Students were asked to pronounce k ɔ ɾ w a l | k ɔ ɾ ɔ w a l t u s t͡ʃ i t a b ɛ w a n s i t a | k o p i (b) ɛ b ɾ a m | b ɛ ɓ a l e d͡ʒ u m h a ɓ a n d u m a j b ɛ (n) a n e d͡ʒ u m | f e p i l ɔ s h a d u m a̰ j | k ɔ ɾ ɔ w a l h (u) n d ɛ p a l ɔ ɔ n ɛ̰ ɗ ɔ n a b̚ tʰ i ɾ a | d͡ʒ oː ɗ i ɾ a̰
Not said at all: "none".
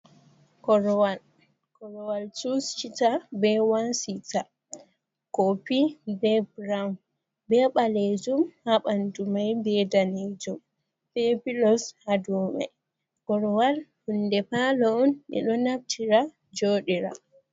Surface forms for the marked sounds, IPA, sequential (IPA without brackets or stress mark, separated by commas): b, d, u